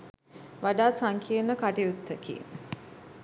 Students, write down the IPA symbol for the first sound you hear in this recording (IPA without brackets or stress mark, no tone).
ʋ